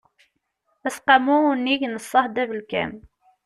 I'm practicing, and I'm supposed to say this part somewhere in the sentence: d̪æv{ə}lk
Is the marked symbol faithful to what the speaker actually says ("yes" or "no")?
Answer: yes